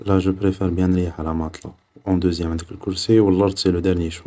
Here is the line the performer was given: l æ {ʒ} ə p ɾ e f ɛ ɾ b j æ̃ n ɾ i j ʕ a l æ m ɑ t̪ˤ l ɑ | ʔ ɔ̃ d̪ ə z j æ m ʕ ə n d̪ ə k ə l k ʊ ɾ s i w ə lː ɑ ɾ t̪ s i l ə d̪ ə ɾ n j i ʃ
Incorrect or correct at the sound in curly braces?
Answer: correct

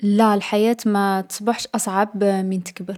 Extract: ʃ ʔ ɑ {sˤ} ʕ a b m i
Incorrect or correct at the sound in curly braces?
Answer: correct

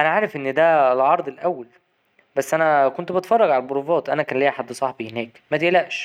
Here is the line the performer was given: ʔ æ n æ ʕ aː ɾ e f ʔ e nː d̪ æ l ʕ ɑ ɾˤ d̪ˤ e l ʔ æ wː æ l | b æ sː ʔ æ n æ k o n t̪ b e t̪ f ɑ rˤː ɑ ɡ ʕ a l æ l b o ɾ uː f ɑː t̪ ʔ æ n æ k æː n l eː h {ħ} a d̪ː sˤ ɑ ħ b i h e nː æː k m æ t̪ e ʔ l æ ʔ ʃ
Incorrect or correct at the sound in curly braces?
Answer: correct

